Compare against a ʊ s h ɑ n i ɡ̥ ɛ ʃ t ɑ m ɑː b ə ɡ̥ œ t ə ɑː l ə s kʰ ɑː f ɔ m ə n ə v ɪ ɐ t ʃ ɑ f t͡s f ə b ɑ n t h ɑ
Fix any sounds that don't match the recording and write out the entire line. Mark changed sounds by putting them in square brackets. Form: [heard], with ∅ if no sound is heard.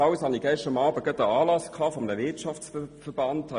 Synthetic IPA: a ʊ s h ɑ n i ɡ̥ ɛ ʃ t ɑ m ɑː b ə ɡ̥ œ t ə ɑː l [ɑ] s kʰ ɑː f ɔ m ə n ə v ɪ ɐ t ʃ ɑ f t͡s f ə b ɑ n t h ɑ